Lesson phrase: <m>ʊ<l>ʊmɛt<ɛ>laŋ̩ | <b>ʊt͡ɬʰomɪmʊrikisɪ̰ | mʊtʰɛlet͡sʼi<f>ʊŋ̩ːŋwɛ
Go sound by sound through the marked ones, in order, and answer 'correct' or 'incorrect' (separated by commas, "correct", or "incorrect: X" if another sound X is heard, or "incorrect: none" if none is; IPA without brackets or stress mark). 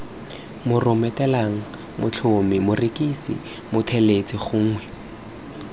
correct, incorrect: r, correct, incorrect: m, incorrect: χ